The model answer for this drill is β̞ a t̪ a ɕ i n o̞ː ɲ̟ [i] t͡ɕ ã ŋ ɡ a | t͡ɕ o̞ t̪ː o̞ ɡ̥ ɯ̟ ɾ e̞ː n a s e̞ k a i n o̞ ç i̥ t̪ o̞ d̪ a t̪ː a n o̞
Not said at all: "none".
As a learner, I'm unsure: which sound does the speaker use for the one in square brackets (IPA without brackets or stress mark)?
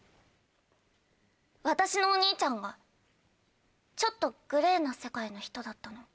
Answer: iː